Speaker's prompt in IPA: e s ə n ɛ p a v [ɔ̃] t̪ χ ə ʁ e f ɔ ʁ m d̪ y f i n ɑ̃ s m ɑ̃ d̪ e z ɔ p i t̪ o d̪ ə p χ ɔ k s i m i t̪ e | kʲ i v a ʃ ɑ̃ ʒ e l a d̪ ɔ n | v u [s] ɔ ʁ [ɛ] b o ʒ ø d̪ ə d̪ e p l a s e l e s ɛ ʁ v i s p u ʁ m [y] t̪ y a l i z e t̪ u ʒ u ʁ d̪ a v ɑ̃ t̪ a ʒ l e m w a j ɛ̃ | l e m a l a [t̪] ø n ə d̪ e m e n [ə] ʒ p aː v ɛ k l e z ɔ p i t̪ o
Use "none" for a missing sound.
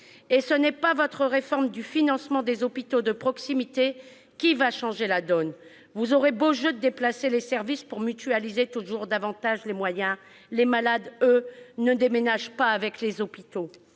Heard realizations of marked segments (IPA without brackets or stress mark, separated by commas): ɔ, z, e, y, d̪, a